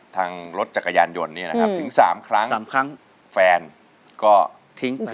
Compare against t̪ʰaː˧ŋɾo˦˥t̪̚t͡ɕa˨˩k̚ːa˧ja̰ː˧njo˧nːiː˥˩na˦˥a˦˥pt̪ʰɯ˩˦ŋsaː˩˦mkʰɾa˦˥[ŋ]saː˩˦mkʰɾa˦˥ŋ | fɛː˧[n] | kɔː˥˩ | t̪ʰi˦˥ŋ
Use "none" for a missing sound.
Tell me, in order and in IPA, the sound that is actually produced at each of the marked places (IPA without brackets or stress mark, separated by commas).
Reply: ŋ, n